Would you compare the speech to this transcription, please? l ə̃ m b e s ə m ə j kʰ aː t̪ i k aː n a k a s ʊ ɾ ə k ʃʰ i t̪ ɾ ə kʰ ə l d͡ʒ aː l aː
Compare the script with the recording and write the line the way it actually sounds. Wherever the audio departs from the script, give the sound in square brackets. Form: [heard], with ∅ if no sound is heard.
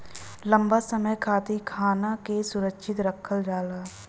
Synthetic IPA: l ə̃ m b [a] s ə m ə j kʰ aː t̪ i [kʰ] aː n a k [e] s ʊ ɾ ə k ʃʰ [ɪ] t̪ ɾ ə kʰ ə l d͡ʒ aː l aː